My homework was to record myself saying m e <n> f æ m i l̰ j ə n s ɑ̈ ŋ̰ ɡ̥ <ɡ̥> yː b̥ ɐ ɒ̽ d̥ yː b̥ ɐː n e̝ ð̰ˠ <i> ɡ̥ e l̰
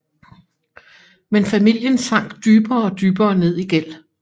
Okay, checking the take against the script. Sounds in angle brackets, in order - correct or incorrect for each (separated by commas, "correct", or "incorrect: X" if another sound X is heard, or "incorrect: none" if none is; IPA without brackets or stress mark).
correct, incorrect: d̥, correct